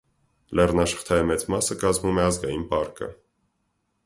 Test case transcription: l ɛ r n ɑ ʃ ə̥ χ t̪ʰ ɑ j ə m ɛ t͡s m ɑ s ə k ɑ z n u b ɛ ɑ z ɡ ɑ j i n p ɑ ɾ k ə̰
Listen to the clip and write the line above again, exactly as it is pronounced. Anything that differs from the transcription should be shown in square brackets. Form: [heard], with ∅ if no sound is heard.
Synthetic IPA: l ɛ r n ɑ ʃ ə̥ χ t̪ʰ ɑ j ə m ɛ t͡s m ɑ s ə k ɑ z [m] u [m] ɛ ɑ z ɡ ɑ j i n p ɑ ɾ k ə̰